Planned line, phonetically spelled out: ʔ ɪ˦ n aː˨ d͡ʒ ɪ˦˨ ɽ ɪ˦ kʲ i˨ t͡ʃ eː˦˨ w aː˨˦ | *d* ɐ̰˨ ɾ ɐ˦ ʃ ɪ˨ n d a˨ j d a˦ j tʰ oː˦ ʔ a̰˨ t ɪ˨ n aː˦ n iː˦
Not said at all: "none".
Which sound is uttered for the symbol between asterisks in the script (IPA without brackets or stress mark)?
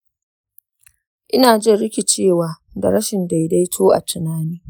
d